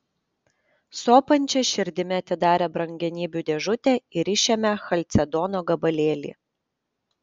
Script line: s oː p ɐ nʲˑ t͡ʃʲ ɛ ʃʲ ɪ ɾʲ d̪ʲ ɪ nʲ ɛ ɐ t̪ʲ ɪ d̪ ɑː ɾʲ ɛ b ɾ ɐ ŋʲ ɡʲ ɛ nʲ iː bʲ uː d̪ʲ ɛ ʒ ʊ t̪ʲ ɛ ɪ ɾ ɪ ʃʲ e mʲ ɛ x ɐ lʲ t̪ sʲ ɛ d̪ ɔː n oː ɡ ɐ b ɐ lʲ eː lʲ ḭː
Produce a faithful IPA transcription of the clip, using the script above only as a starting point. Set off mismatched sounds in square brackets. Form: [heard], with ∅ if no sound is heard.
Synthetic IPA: s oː p ɐ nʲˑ t͡ʃʲ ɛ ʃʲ ɪ ɾʲ d̪ʲ ɪ [mʲ] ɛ ɐ t̪ʲ ɪ d̪ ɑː ɾʲ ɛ b ɾ ɐ ŋʲ ɡʲ ɛ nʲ iː bʲ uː d̪ʲ ɛ ʒ ʊ t̪ʲ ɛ ɪ ɾ ɪ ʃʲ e mʲ ɛ x ɐ lʲ t̪ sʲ ɛ d̪ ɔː n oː ɡ ɐ b ɐ lʲ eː lʲ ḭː

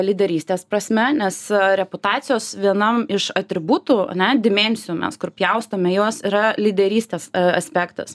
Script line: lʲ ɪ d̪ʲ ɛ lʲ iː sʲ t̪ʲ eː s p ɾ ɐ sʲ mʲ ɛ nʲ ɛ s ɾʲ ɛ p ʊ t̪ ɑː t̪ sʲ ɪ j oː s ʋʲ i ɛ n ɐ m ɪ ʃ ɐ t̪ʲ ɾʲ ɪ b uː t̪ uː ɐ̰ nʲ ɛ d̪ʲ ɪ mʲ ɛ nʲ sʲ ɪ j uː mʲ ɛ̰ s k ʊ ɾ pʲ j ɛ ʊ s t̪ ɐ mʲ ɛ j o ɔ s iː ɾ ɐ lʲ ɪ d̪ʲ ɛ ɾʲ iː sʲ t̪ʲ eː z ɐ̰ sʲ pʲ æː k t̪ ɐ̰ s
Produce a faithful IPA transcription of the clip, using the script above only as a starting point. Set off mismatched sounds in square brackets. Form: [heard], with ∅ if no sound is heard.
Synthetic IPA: lʲ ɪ d̪ʲ ɛ [ɾʲ] iː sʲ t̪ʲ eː s p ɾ ɐ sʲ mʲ ɛ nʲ ɛ s ɾʲ ɛ p ʊ t̪ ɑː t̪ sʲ ɪ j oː s ʋʲ i ɛ n ɐ m ɪ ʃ ɐ t̪ʲ ɾʲ ɪ b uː t̪ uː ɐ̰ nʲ ɛ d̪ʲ ɪ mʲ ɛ nʲ sʲ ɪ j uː mʲ ɛ̰ s k ʊ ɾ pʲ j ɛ ʊ s t̪ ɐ mʲ ɛ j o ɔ s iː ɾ ɐ lʲ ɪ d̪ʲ ɛ ɾʲ iː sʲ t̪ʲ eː [s] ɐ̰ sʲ pʲ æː k t̪ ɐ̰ s

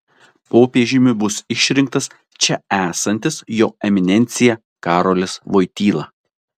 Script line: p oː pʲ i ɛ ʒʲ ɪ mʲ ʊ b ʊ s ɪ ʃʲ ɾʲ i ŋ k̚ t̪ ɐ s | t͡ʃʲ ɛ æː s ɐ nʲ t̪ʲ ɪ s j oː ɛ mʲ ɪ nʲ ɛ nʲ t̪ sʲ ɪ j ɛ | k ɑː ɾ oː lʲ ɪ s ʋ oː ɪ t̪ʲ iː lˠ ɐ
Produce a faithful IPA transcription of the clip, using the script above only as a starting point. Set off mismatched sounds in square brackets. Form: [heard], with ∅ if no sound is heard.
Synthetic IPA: p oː pʲ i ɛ ʒʲ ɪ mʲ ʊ b ʊ s ɪ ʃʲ ɾʲ [ɪ] ŋ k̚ t̪ ɐ s | t͡ʃʲ ɛ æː s ɐ nʲ t̪ʲ ɪ s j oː ɛ mʲ ɪ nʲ ɛ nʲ t̪ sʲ ɪ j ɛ | k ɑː ɾ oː lʲ ɪ s ʋ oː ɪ t̪ʲ iː lˠ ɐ

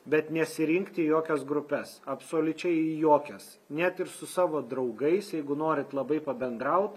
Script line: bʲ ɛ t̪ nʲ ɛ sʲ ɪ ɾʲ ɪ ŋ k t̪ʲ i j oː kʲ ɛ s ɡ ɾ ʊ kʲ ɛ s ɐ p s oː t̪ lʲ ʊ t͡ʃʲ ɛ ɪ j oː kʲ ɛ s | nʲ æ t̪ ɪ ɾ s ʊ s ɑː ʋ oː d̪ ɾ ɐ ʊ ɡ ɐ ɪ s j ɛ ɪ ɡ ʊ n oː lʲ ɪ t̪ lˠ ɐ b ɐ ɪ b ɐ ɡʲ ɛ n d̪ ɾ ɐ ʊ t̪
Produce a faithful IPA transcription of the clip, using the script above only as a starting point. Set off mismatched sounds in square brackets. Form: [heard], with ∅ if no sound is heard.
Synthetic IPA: bʲ ɛ t̪ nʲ ɛ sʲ ɪ ɾʲ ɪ ŋ k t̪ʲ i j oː kʲ ɛ s ɡ ɾ ʊ [pʲ] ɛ s ɐ p s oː [∅] lʲ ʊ t͡ʃʲ ɛ ɪ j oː kʲ ɛ s | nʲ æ t̪ ɪ ɾ s ʊ s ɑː ʋ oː d̪ ɾ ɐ ʊ ɡ ɐ ɪ s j ɛ ɪ ɡ ʊ n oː [ɾʲ] ɪ t̪ lˠ ɐ b ɐ ɪ [p] ɐ [bʲ] ɛ n d̪ ɾ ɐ ʊ t̪

